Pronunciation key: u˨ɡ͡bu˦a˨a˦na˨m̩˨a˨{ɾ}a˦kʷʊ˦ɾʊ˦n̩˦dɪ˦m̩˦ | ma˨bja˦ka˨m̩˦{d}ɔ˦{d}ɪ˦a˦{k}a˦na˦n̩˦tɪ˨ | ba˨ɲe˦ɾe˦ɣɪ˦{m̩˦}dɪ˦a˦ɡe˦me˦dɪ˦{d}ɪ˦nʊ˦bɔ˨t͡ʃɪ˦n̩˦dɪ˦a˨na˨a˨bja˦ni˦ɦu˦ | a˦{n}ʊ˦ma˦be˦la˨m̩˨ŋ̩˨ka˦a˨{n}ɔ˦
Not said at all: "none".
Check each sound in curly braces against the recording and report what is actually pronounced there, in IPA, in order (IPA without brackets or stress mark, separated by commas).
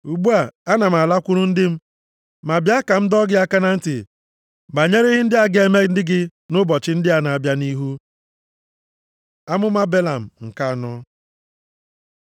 l, d, ɡ, k, n̩˦, ɡ, m, n